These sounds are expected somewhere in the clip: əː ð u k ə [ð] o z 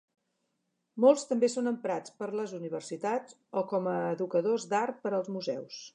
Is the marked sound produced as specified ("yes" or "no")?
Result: yes